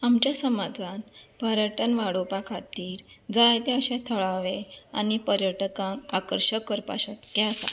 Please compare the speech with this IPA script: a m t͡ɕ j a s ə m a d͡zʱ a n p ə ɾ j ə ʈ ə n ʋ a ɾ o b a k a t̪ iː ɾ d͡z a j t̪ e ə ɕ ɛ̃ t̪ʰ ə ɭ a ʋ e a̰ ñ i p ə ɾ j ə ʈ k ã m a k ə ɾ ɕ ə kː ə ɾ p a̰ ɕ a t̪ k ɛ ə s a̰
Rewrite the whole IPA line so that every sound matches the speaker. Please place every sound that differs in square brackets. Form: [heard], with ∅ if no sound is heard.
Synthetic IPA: a m t͡ɕ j a s ə m a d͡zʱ a n p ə ɾ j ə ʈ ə n ʋ a [ɽ] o [p] a [kʰ] a t̪ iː ɾ d͡z a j t̪ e ə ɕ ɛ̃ t̪ʰ ə ɭ a ʋ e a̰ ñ i p ə ɾ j ə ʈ k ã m a k ə ɾ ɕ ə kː ə ɾ p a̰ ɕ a t̪ k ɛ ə s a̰